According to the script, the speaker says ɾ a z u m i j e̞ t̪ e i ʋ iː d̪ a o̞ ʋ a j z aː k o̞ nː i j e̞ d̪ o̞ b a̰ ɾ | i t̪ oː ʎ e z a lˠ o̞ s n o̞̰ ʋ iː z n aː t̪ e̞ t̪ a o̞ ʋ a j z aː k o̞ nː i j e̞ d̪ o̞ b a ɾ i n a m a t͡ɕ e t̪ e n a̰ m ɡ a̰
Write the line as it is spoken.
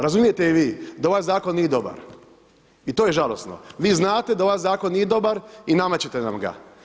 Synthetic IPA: ɾ a z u m i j e̞ t̪ e i ʋ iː d̪ a o̞ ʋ a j z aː k o̞ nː i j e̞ d̪ o̞ b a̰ ɾ | i t̪ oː j e ʒ a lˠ o̞ s n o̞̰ ʋ iː z n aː t̪ e̞ d̪ a o̞ ʋ a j z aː k o̞ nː i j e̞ d̪ o̞ b a ɾ i n a m a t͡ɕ e t̪ e n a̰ m ɡ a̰